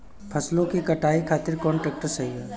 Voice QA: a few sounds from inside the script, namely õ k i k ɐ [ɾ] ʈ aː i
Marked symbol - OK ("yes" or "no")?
no